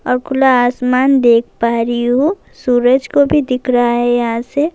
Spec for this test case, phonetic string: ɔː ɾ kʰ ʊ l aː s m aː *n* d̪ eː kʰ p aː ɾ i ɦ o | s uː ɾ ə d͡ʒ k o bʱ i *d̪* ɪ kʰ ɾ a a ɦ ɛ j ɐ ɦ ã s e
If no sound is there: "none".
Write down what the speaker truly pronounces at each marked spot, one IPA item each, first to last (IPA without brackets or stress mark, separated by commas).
n, d̪